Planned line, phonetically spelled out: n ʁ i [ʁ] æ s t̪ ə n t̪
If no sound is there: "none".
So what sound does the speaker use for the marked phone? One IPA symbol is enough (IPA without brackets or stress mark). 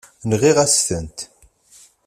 ʁ